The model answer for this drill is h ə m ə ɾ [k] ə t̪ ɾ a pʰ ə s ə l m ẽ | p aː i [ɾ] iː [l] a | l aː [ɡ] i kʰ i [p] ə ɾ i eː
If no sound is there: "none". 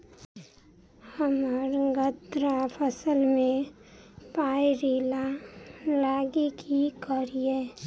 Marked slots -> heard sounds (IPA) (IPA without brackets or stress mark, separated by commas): ɡ, ɾ, l, ɡ, k